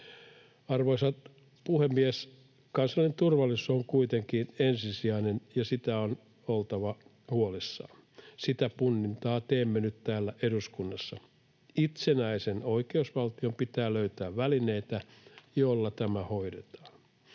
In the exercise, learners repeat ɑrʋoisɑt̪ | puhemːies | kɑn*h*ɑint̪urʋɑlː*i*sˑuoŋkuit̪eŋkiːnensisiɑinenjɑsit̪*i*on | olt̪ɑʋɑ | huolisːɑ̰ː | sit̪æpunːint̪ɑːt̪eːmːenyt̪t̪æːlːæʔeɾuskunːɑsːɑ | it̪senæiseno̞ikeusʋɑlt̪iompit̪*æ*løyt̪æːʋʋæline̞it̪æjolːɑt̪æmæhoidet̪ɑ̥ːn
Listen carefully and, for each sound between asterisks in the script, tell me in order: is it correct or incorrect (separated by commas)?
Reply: incorrect, correct, incorrect, incorrect